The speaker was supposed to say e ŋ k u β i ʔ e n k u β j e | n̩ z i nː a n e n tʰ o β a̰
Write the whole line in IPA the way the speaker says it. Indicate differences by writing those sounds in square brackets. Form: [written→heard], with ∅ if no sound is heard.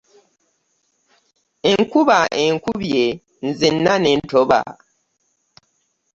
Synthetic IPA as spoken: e ŋ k u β [i→a] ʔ e [n→ŋ] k u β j e | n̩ z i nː a n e n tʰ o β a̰